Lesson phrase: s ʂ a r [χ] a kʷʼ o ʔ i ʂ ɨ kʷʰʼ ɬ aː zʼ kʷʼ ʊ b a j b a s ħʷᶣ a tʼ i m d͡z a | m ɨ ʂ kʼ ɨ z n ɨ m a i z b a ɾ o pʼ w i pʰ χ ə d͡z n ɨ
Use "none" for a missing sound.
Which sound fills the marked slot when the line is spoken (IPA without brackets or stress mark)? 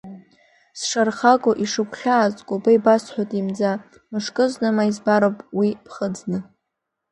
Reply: χ